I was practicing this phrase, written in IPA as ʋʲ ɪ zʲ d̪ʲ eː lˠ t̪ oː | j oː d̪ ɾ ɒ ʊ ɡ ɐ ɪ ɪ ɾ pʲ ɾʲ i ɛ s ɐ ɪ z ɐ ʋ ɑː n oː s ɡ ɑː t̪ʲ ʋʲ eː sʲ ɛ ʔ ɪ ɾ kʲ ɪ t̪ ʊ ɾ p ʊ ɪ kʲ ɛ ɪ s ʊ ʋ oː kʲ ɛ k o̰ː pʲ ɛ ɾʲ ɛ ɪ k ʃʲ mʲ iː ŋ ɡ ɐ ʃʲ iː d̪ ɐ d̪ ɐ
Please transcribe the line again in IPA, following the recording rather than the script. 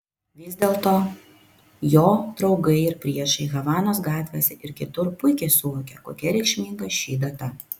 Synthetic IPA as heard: ʋʲ ɪ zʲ d̪ʲ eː lˠ t̪ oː | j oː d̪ ɾ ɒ ʊ ɡ ɐ ɪ ɪ ɾ pʲ ɾʲ i ɛ ʃ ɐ ɪ ɣ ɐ ʋ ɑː n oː s ɡ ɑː t̪ʲ ʋʲ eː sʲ ɛ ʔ ɪ ɾ kʲ ɪ t̪ ʊ ɾ p ʊ ɪ kʲ ɛ ɪ s ʊ ʋ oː kʲ ɛ k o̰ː kʲ ɛ ɾʲ ɛ ɪ k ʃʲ mʲ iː ŋ ɡ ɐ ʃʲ iː d̪ ɐ t̪ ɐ